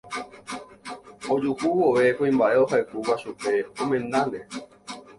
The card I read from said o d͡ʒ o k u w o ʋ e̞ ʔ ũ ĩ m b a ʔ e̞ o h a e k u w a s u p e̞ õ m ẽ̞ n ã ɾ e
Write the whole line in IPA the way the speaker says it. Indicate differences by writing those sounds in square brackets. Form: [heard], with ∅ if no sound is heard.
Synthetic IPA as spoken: o d͡ʒ [u] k u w o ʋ e̞ [k] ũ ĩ m b a ʔ e̞ o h a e k u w a [ʃ] u p e̞ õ m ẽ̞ n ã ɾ e